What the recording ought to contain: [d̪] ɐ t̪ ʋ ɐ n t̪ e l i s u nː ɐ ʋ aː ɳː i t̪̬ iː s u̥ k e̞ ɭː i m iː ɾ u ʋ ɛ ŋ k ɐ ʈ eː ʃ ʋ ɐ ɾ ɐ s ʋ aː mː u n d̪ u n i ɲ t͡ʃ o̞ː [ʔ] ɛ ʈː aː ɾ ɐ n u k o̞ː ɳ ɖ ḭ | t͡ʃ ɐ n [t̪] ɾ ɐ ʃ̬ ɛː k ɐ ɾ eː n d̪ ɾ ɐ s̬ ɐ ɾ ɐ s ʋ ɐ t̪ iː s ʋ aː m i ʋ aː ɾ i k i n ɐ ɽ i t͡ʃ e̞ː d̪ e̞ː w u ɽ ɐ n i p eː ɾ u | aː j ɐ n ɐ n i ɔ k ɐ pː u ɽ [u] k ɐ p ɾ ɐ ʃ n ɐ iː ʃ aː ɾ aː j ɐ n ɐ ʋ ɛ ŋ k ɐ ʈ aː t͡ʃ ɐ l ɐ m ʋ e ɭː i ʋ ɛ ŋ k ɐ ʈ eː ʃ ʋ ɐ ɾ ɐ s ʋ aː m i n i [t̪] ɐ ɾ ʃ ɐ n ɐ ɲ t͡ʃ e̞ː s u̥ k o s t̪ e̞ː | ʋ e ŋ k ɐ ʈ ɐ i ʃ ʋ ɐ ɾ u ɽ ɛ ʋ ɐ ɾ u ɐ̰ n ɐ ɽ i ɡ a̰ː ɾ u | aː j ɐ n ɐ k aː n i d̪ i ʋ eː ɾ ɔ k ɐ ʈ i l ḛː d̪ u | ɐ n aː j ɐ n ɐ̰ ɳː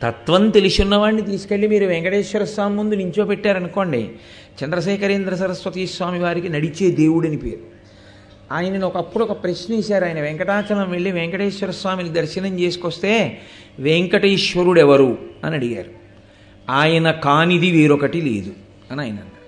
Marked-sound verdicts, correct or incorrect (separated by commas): incorrect, incorrect, incorrect, incorrect, incorrect